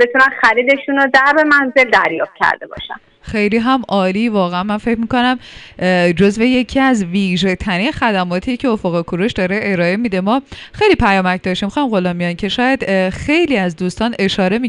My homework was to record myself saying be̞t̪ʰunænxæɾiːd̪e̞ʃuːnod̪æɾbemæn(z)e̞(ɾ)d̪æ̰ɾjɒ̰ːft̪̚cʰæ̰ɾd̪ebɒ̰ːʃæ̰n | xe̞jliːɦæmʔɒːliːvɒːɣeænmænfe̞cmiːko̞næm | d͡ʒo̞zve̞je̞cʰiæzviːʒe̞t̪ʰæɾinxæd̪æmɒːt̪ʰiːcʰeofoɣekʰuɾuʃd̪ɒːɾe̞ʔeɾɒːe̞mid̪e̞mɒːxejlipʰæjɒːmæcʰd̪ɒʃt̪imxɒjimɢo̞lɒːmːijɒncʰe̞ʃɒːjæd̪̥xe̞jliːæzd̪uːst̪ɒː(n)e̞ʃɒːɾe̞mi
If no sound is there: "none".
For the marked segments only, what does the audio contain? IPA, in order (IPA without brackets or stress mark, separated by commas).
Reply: z, l, n